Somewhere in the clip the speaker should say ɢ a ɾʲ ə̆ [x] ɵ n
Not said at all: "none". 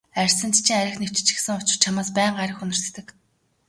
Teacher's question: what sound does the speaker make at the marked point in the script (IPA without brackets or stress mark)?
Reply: x